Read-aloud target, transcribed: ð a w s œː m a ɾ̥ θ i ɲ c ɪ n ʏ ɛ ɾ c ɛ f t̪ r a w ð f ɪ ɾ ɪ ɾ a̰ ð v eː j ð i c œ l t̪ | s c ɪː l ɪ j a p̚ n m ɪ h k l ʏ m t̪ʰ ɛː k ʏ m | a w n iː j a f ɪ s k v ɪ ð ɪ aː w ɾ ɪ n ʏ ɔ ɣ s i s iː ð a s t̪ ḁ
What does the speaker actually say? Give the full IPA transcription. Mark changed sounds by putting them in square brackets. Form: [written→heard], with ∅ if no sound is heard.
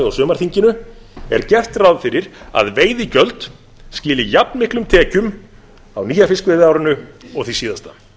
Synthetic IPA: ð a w s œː m a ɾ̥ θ i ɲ c ɪ n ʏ ɛ ɾ c ɛ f t̪ r a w ð f ɪ ɾ ɪ ɾ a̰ ð v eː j ð i c œ l t̪ | s c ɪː l ɪ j a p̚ n m ɪ h k l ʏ m t̪ʰ ɛː [k→c] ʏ m | a w n iː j a f ɪ s k v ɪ ð ɪ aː w ɾ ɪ n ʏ ɔ ɣ [s→θ] i s iː ð a s t̪ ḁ